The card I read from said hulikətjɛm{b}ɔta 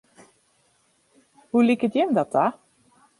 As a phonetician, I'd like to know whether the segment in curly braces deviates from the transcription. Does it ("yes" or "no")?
yes